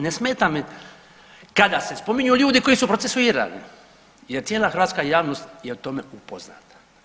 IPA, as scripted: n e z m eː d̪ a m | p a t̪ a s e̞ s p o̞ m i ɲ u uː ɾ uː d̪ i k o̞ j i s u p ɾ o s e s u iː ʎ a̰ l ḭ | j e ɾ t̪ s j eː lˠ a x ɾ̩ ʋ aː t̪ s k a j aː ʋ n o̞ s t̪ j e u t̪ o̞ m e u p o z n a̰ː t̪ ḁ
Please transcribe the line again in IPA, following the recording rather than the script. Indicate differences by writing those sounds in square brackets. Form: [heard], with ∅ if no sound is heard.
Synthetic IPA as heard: n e [s] m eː [t̪] a m | [k] a [d̪] a s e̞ s p o̞ m i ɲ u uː [ʎ] uː d̪ i k o̞ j i s u p ɾ o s e s u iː [ɾ] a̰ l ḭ | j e ɾ t̪ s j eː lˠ a x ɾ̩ ʋ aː t̪ s k a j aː ʋ n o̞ s t̪ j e u t̪ o̞ m e u p o z n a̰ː t̪ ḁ